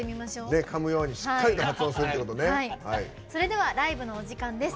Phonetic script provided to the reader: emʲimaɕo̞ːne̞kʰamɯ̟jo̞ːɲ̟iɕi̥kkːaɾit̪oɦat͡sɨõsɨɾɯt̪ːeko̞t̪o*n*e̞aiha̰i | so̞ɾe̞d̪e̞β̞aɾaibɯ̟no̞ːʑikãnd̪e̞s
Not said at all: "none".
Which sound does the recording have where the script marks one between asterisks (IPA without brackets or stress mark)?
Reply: n